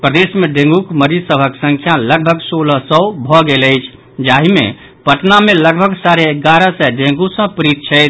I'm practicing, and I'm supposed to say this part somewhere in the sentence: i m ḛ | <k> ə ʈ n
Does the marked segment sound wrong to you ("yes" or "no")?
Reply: yes